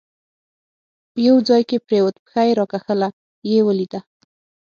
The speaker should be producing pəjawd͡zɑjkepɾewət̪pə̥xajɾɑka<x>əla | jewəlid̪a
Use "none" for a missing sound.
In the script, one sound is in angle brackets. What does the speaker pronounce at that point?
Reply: x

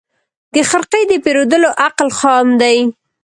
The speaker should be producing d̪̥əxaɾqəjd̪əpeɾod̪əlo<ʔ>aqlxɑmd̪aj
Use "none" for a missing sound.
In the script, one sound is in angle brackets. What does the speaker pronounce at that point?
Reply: ʔ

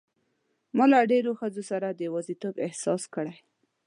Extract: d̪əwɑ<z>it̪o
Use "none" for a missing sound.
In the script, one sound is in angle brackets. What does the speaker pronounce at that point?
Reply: z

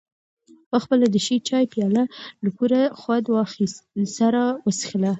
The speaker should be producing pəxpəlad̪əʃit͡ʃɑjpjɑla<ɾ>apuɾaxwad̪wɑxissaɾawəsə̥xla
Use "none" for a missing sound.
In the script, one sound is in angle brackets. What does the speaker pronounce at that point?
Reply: l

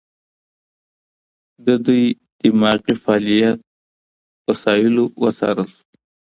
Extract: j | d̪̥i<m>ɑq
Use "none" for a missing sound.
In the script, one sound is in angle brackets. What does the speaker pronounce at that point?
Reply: m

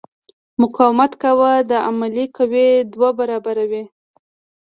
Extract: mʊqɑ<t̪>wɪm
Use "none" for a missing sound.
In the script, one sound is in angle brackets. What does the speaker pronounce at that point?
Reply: none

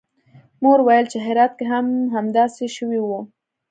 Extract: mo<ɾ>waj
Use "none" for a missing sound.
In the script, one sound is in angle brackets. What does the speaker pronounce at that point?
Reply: ɾ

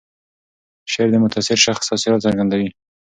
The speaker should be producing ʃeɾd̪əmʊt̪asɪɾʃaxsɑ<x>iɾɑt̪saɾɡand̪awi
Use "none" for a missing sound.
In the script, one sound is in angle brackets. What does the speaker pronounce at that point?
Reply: s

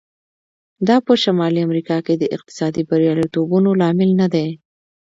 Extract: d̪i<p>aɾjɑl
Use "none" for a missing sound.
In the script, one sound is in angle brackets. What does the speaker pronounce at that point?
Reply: b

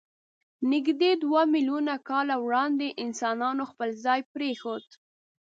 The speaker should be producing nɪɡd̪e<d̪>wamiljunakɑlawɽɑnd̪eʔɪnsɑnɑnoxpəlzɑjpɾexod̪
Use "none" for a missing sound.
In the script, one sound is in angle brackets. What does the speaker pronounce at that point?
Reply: d̪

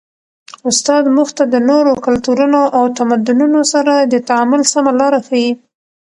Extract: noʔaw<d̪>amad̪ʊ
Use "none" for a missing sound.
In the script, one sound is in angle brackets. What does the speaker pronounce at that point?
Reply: t̪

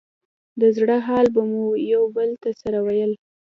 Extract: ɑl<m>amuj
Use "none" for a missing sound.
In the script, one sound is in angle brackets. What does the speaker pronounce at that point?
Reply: b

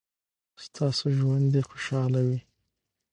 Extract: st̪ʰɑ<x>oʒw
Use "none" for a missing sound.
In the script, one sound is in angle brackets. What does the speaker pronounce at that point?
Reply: s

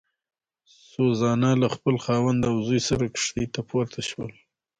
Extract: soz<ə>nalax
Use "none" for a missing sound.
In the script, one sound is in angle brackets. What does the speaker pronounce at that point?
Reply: ɑ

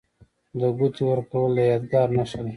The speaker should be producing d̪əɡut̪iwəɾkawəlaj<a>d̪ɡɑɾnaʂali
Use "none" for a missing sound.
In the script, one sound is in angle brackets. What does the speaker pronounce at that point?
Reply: ɑ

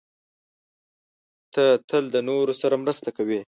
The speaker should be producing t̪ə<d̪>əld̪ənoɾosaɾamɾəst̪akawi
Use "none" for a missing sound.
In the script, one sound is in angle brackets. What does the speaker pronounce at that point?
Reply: t̪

